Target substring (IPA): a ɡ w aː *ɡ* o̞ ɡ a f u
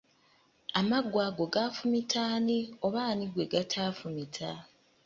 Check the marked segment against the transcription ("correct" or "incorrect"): correct